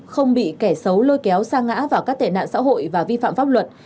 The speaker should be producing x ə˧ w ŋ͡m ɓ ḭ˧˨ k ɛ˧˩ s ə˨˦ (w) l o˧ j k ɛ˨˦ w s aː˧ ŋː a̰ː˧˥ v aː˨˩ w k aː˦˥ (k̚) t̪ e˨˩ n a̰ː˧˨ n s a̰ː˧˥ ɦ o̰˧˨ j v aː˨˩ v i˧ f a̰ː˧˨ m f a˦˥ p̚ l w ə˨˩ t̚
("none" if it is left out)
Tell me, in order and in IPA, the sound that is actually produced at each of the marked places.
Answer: w, k̚

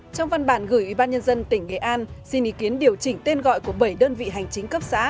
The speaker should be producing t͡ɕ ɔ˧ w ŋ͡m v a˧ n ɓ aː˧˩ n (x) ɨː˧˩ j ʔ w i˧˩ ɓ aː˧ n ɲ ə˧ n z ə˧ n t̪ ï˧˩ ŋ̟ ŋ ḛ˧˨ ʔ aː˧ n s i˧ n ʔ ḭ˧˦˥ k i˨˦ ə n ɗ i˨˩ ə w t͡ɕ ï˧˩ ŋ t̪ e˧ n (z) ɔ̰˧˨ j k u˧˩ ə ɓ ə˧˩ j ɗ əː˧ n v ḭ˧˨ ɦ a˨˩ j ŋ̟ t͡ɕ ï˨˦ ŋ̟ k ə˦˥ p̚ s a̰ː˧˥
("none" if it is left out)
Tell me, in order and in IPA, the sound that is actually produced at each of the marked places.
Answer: ɣ, ɣ

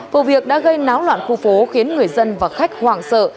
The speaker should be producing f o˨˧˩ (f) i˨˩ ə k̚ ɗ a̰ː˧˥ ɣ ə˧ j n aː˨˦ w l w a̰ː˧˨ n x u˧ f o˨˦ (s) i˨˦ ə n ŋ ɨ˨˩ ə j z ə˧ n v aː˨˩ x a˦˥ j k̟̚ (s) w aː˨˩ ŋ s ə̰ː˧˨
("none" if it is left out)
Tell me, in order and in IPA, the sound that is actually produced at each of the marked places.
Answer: v, x, h

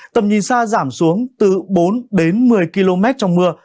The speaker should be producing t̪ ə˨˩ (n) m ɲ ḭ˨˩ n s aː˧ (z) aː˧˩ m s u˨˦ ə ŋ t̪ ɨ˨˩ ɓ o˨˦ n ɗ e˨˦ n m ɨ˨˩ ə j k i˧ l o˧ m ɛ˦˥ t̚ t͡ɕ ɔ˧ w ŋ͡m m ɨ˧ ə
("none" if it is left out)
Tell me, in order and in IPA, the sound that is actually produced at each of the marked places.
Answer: none, z

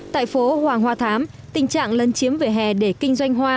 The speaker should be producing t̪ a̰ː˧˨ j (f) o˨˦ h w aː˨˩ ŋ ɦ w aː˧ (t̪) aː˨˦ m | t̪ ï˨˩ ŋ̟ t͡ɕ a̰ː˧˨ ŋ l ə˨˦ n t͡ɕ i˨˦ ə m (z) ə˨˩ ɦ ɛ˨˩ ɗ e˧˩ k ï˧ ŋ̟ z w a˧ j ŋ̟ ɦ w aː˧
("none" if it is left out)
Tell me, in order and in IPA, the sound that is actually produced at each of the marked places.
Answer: f, t̪ʰ, v

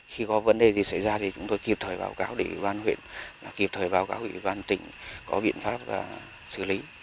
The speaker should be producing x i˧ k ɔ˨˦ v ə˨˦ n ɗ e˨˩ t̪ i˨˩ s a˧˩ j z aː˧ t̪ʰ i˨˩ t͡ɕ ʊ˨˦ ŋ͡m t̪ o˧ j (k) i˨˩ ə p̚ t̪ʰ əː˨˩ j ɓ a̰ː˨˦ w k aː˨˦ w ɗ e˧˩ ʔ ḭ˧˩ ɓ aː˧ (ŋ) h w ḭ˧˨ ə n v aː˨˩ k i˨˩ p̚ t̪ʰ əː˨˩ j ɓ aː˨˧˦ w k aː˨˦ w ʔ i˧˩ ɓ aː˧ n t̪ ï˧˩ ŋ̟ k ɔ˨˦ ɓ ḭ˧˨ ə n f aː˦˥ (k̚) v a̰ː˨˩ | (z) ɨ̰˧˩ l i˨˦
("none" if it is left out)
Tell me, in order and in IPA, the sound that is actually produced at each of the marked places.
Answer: k, n, p̚, s

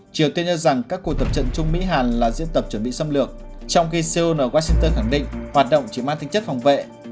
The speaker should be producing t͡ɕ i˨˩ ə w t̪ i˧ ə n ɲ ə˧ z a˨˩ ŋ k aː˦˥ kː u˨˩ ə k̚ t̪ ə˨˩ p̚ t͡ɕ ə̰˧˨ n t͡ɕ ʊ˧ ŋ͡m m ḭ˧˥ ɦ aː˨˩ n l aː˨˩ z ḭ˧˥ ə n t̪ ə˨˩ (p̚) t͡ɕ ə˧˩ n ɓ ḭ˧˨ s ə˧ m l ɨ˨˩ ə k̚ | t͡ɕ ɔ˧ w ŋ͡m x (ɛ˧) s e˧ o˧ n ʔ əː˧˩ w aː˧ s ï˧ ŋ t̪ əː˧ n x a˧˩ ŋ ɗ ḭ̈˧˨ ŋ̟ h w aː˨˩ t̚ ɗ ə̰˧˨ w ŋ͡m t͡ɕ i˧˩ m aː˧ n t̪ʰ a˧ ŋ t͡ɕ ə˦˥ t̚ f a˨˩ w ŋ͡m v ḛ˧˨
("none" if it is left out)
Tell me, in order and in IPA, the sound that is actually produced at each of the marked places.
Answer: p̚, i˧

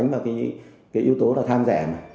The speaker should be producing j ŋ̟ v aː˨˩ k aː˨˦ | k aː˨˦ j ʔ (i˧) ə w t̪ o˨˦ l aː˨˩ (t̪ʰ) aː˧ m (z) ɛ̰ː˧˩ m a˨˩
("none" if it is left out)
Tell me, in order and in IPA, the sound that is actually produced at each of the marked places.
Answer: i˧, t̪ʰ, z

